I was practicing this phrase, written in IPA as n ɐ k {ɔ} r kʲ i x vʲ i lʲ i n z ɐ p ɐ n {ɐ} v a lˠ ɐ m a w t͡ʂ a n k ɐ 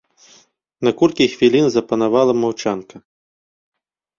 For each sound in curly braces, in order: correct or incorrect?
incorrect: u, incorrect: a

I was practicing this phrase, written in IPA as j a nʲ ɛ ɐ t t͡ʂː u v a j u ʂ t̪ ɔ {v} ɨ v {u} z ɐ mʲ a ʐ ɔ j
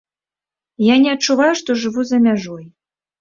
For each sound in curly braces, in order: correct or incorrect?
incorrect: ʐ, correct

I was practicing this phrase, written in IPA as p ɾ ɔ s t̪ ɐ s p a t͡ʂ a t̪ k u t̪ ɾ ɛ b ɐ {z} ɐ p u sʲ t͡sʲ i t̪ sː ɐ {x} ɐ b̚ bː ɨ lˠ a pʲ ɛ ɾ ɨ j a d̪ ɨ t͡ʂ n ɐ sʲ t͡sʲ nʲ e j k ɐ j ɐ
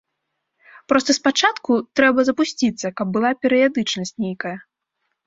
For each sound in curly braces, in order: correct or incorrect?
correct, incorrect: k

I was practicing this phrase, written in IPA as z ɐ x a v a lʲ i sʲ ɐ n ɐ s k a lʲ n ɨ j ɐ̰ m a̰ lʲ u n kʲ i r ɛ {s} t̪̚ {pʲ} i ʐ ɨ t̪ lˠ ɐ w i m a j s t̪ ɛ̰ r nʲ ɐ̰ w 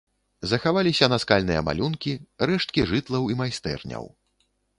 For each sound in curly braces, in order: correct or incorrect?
incorrect: ʂ, incorrect: kʲ

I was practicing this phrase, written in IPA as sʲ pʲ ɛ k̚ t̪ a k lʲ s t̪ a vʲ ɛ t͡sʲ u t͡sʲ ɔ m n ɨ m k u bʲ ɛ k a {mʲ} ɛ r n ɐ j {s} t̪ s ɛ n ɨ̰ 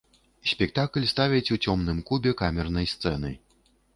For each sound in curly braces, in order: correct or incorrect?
correct, correct

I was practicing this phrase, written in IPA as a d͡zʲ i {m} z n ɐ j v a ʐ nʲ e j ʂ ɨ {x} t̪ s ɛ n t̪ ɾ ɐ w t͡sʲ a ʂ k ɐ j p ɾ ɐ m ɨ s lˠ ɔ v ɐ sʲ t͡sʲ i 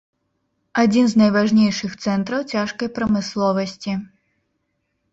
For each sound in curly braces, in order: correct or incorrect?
incorrect: n, correct

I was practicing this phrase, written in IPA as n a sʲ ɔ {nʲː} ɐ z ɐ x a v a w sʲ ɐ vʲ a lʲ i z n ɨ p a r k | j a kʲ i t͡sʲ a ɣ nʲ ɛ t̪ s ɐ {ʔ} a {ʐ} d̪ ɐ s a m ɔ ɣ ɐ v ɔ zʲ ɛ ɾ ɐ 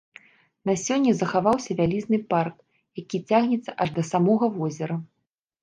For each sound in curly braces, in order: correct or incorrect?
correct, correct, correct

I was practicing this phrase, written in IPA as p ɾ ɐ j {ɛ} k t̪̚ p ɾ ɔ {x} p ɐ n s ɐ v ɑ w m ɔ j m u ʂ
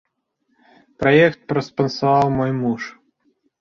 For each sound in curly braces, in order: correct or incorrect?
correct, incorrect: s

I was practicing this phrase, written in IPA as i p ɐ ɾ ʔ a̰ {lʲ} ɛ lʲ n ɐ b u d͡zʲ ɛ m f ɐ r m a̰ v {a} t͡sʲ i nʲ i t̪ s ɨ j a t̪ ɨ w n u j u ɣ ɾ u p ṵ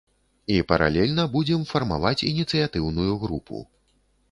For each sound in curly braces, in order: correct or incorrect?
correct, correct

